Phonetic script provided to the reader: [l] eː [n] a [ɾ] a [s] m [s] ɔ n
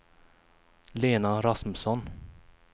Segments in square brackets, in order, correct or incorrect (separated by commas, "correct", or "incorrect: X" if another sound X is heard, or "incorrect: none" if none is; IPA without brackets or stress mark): correct, correct, correct, correct, correct